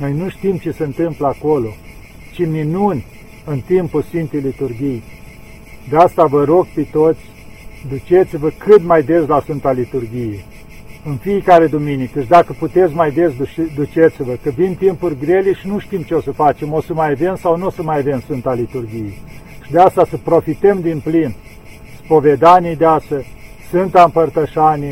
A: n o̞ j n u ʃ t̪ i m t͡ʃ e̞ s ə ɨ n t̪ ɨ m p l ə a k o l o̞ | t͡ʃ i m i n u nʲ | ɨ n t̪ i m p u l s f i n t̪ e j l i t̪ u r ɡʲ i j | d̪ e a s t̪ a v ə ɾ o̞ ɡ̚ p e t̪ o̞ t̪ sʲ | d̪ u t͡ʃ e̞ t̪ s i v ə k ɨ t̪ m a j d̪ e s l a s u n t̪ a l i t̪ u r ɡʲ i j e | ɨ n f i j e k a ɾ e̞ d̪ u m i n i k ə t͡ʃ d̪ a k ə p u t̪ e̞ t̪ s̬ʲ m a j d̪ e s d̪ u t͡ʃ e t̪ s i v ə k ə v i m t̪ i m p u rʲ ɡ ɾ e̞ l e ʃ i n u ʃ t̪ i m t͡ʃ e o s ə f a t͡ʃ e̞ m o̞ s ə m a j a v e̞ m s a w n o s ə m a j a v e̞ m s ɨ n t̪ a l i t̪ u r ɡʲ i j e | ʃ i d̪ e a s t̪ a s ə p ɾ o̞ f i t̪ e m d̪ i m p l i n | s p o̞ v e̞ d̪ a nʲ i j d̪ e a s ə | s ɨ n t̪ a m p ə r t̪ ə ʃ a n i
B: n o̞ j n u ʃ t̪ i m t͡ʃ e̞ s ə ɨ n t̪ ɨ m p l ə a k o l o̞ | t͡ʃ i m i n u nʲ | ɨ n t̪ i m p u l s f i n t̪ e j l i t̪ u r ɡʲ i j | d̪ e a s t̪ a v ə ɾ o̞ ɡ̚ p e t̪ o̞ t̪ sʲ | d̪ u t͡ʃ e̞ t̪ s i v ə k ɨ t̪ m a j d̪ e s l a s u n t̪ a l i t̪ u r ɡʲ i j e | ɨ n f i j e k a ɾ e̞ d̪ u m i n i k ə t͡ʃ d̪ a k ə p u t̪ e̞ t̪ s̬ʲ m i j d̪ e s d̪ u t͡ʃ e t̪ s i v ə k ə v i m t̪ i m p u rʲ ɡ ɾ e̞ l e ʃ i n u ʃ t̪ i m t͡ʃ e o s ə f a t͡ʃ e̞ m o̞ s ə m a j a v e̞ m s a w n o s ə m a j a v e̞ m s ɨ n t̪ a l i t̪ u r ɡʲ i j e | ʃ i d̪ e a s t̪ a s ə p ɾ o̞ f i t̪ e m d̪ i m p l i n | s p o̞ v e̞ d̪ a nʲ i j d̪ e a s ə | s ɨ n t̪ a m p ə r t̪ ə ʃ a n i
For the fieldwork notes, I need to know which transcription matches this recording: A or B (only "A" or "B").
A